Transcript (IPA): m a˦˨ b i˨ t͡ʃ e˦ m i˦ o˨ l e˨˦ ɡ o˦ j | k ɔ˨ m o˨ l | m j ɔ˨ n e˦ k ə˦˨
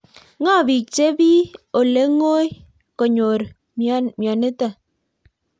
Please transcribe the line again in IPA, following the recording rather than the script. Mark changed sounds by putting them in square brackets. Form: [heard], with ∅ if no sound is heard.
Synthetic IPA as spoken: [ŋ] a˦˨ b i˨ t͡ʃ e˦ [b] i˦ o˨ l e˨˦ [ŋ] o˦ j | k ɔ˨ [ɲ] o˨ [ɾ] | m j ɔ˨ n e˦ [t] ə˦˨